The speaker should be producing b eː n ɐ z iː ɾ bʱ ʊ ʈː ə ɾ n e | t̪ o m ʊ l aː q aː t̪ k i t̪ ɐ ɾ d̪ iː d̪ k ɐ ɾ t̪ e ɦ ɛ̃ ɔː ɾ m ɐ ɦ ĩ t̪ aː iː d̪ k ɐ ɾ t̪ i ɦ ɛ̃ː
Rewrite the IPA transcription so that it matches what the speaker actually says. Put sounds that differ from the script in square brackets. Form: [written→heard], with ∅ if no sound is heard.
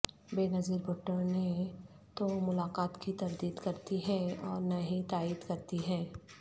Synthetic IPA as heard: b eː n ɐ z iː ɾ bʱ ʊ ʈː ə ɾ n e | t̪ o m ʊ l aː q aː t̪ k i t̪ ɐ ɾ d̪ iː d̪ k ɐ ɾ t̪ [e→i] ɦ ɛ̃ ɔː ɾ [m→n] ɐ ɦ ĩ t̪ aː iː d̪ k ɐ ɾ t̪ i ɦ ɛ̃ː